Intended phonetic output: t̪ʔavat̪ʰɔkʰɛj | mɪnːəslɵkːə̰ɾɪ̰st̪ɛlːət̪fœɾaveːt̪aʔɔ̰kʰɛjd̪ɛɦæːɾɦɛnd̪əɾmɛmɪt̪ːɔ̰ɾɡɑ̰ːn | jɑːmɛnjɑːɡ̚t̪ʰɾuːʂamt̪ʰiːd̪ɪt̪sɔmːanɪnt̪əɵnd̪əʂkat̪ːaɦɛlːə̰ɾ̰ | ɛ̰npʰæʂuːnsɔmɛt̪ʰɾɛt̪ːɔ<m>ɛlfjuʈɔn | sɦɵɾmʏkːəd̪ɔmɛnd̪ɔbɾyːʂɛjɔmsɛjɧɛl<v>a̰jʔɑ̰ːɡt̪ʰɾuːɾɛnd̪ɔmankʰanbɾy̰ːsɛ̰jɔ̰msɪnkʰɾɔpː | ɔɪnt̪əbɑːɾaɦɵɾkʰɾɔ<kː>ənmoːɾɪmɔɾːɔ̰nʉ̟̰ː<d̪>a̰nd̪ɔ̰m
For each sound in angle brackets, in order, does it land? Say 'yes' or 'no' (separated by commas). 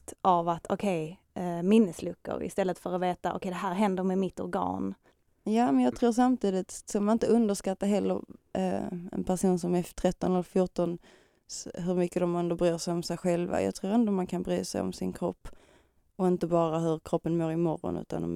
no, yes, no, no